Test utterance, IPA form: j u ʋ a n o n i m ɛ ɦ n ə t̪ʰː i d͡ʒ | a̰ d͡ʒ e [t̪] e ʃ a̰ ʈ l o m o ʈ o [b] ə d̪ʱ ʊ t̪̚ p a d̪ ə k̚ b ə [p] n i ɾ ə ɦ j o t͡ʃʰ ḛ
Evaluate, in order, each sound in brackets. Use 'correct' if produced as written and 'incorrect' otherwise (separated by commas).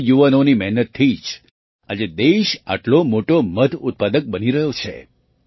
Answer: incorrect, incorrect, incorrect